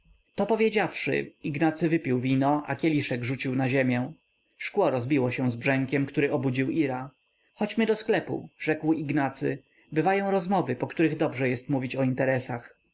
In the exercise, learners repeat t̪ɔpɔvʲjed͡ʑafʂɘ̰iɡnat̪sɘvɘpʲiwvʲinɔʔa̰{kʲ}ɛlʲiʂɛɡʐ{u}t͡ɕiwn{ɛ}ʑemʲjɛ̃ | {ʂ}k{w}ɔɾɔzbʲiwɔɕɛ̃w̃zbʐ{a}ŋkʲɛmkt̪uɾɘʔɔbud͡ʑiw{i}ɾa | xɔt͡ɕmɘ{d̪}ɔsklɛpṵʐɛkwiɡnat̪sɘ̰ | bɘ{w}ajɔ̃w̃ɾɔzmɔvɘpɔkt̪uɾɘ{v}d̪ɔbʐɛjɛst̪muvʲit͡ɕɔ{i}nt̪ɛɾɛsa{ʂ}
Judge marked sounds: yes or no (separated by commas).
yes, yes, no, yes, yes, no, yes, yes, no, no, yes, no